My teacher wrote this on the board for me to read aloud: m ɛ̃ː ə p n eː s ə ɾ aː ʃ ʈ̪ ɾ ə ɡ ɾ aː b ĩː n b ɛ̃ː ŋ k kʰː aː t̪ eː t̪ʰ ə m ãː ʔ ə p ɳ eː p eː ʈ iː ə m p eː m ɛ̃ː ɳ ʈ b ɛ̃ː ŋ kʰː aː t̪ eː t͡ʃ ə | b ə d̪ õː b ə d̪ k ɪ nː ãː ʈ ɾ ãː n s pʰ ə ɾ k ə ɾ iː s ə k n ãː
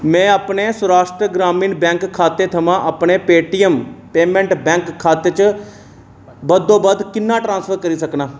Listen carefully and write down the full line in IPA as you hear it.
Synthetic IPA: m ɛ̃ː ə p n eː s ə ɾ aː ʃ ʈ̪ ɾ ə ɡ ɾ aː m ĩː n b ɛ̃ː ŋ k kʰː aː t̪ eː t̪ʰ ə m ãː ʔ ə p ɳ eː p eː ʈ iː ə m p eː m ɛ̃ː ɳ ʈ b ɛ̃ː ŋ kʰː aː t̪ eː t͡ʃ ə | b ə d̪ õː b ə d̪ k ɪ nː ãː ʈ ɾ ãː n s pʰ ə ɾ k ə ɾ iː s ə k n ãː